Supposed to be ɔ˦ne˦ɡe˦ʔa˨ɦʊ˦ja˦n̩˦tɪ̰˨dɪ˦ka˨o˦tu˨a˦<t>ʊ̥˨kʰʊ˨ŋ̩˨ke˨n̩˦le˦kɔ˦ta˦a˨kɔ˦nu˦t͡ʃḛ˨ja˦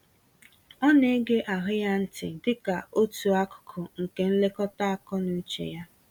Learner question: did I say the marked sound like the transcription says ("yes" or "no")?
no